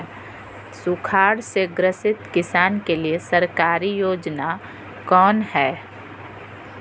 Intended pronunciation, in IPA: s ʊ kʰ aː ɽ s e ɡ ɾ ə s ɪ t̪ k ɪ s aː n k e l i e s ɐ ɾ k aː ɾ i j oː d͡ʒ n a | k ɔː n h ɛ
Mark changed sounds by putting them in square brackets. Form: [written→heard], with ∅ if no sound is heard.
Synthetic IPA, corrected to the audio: s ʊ kʰ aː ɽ s e ɡ ɾ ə s ɪ t̪ k ɪ s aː n k e l i e s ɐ ɾ k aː ɾ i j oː d͡ʒ n a | k ɔː n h [ɛ→ɛː]